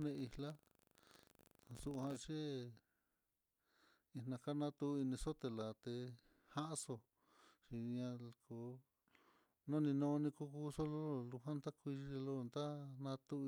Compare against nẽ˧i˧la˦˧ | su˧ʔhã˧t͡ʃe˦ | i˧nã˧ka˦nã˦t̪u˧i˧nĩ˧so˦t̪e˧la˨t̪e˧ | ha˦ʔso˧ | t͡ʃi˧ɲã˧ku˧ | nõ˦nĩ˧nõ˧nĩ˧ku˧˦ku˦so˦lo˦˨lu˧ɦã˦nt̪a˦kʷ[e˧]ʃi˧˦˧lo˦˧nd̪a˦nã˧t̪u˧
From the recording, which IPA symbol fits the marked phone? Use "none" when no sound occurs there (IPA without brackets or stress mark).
i˧